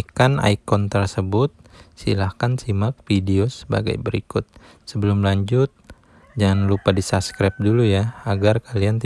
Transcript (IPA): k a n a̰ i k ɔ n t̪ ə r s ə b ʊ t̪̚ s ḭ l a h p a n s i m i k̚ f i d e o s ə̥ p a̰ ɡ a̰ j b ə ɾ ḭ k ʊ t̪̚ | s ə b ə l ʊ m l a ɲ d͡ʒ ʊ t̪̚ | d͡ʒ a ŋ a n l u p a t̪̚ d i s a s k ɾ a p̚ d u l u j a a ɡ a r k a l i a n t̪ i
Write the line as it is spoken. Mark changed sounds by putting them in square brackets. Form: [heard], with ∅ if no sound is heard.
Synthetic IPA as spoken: k a n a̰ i k ɔ n t̪ ə r s ə b ʊ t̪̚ s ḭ l a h [k] a n s i m [a] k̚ f i d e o s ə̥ [b] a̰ ɡ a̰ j b ə ɾ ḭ k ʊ t̪̚ | s ə b ə l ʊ m l a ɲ d͡ʒ ʊ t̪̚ | d͡ʒ a ŋ a n l u p a [∅] d i s a s k ɾ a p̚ d u l u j a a ɡ a r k a l i a n t̪ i